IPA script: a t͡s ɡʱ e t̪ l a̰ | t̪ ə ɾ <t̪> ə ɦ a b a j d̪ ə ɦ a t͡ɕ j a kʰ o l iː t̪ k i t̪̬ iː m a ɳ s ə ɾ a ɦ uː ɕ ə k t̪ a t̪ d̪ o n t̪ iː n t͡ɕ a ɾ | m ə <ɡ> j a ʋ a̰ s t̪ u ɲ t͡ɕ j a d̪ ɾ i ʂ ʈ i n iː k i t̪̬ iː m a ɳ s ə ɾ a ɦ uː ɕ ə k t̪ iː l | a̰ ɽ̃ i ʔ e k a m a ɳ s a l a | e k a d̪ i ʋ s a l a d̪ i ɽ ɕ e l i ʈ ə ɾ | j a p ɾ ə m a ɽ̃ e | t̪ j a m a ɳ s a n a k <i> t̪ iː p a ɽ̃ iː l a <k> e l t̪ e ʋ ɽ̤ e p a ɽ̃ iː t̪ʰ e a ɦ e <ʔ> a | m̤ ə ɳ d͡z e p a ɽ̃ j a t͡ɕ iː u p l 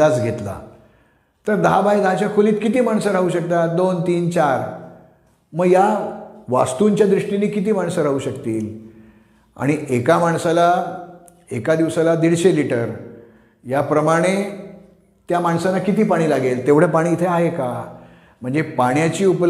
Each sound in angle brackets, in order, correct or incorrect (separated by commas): incorrect, correct, correct, incorrect, incorrect